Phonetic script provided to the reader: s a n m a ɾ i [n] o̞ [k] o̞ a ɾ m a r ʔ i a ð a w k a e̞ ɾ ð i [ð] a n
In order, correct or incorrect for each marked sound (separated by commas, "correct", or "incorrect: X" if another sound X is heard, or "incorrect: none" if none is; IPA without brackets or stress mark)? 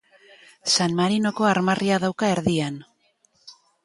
correct, correct, incorrect: none